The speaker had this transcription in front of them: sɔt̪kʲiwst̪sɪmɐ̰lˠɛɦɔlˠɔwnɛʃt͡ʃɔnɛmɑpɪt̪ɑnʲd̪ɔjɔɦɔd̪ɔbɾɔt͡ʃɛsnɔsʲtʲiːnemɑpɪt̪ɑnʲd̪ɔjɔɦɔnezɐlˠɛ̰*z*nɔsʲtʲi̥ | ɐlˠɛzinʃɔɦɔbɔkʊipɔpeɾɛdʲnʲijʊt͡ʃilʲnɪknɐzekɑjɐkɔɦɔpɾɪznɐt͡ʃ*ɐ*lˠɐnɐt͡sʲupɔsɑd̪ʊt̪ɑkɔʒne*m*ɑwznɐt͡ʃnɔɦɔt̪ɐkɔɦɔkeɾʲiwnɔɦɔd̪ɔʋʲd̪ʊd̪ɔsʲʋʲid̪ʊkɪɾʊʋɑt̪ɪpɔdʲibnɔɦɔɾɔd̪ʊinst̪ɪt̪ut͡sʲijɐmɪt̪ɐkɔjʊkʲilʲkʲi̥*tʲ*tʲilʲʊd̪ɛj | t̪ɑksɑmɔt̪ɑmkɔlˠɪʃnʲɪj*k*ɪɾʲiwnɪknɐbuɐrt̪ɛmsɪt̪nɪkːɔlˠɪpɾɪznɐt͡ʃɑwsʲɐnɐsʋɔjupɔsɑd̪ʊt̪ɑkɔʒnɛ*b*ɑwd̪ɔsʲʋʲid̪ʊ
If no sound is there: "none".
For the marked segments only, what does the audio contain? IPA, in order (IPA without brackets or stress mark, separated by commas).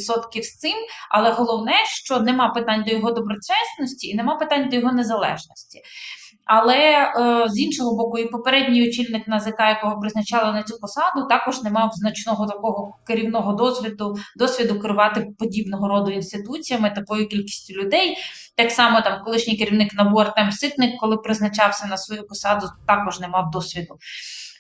ʒ, ɑ, m, sʲ, k, m